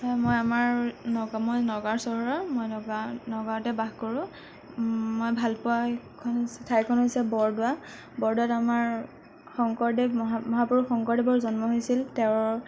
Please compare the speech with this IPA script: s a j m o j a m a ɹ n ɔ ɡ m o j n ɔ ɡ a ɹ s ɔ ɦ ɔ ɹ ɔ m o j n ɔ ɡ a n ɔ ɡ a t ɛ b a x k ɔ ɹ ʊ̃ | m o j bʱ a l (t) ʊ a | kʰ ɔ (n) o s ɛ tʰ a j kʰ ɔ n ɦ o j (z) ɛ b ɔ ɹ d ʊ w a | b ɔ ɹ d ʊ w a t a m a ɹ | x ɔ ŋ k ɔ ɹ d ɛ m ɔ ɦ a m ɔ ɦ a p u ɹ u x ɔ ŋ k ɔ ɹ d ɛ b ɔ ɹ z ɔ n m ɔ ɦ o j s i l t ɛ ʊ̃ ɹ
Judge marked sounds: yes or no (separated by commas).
no, yes, no